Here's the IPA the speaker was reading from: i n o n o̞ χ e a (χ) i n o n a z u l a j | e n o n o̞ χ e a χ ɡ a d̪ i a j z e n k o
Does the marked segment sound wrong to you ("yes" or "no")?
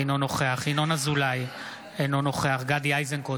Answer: no